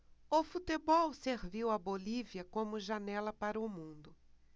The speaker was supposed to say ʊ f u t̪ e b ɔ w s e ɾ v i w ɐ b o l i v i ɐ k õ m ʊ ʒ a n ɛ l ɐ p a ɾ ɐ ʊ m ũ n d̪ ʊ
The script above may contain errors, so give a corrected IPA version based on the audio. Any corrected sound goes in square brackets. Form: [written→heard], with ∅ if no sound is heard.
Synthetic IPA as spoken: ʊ f u t̪ e b ɔ w s e ɾ v i w ɐ b o l i v i ɐ k õ m ʊ ʒ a n ɛ l ɐ p a ɾ ɐ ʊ m ũ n d̪ ʊ